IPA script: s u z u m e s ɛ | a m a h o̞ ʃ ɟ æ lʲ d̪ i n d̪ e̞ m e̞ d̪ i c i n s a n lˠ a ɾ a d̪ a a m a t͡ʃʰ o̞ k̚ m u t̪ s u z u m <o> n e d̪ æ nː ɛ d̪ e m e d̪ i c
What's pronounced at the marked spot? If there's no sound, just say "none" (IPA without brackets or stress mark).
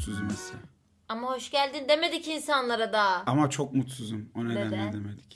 o